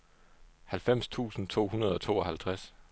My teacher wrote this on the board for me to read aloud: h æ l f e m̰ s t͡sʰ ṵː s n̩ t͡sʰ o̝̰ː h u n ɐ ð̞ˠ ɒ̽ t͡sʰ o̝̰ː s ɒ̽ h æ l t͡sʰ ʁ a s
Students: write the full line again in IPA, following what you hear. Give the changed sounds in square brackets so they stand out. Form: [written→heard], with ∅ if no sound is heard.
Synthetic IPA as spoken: h æ l f e m̰ s t͡sʰ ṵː s n̩ t͡sʰ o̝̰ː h u n ɐ ð̞ˠ ɒ̽ t͡sʰ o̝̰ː [s→∅] ɒ̽ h æ l t͡sʰ ʁ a s